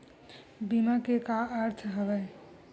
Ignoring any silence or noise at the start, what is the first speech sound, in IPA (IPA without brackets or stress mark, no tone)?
b